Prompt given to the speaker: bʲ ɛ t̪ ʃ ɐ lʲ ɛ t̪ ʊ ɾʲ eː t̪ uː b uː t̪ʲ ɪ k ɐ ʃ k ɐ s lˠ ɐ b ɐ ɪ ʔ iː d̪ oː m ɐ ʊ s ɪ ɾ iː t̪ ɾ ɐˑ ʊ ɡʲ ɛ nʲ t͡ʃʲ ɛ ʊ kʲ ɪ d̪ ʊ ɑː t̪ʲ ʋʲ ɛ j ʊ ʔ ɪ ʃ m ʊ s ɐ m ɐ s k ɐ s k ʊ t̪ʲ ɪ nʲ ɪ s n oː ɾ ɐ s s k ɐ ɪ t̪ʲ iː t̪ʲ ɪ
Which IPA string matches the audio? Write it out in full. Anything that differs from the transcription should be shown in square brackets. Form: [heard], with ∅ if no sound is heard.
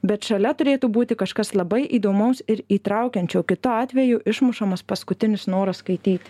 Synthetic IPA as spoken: bʲ ɛ t̪ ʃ ɐ lʲ ɛ t̪ ʊ ɾʲ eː t̪ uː b uː t̪ʲ ɪ k ɐ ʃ k ɐ s lˠ ɐ b ɐ ɪ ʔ iː d̪ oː m ɐ ʊ s ɪ ɾ iː t̪ ɾ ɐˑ ʊ [kʲ] ɛ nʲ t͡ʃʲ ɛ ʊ kʲ ɪ [t̪] ʊ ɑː t̪ʲ ʋʲ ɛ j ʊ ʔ ɪ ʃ m ʊ [ʃ] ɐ m ɐ s [p] ɐ s k ʊ t̪ʲ ɪ nʲ ɪ s n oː ɾ ɐ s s k ɐ ɪ t̪ʲ iː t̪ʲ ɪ